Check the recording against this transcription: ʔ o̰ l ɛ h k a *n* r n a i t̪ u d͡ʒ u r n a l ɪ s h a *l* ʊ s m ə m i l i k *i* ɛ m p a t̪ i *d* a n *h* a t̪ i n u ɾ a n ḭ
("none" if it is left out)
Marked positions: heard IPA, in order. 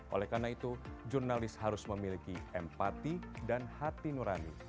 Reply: none, ɾ, i, d, h

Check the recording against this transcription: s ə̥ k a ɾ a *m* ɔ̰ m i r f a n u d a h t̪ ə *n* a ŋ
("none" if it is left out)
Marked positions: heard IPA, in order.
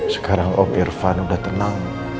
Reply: ŋ, n

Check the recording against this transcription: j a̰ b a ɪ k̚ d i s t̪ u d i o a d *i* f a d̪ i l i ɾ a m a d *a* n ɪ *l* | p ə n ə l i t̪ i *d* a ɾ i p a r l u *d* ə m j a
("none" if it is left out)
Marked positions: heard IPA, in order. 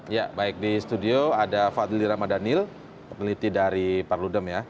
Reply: a, a, l, d, d

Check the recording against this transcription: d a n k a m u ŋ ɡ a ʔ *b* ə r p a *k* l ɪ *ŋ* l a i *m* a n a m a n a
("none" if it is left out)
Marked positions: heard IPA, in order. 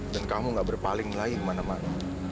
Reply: b, none, ŋ, m

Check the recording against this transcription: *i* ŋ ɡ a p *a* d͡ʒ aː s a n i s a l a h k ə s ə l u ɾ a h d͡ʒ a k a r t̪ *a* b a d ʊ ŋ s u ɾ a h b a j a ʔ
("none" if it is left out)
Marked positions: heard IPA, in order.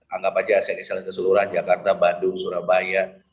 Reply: a, a, a

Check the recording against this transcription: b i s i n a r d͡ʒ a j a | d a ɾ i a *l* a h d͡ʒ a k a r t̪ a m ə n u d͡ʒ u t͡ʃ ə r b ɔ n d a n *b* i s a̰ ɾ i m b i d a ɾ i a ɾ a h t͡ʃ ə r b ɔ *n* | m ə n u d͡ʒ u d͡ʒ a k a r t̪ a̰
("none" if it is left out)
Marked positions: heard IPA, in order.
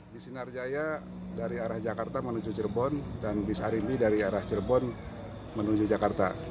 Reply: ɾ, b, n

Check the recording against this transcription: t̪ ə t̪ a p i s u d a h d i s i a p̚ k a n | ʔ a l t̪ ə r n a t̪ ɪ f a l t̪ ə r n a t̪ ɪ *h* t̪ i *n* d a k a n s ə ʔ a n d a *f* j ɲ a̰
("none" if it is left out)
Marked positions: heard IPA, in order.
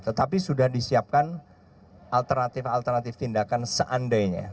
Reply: f, n, none

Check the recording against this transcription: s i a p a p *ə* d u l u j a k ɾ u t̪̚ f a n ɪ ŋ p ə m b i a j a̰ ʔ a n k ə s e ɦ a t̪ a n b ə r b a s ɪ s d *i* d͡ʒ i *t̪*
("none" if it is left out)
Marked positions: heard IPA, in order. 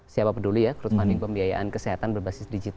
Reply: ə, i, t̪

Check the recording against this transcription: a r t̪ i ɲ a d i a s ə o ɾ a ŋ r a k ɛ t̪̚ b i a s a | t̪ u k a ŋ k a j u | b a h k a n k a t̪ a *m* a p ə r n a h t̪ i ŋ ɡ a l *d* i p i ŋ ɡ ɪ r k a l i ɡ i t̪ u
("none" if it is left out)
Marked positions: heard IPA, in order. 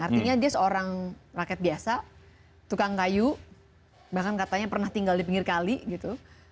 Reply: ɲ, d

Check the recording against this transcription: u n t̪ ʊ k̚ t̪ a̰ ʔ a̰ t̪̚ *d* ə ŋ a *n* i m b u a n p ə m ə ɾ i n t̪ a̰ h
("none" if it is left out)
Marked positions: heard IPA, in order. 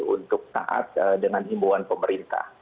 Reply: d, n

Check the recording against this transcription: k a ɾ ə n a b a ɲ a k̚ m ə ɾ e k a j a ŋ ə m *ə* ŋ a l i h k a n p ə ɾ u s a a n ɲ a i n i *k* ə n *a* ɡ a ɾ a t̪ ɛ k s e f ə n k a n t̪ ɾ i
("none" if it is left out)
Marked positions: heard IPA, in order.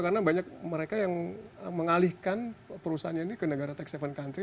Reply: ə, k, ə

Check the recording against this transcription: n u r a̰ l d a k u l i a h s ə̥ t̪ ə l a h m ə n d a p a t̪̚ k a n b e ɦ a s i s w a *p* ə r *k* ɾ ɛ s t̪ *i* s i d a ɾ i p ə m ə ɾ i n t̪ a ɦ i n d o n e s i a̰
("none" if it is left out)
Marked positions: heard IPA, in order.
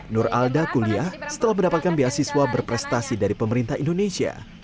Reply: b, p, a

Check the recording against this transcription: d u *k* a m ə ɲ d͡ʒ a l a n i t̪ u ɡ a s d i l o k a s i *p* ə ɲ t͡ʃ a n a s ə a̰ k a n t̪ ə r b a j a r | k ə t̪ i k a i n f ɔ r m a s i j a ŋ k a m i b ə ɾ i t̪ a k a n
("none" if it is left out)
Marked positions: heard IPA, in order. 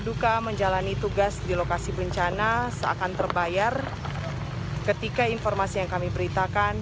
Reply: k, b

